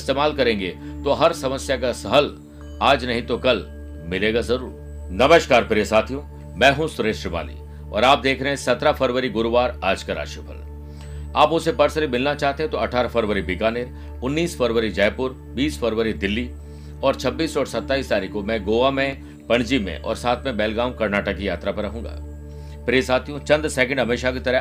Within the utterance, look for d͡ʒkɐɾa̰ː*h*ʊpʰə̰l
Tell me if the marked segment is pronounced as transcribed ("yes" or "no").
no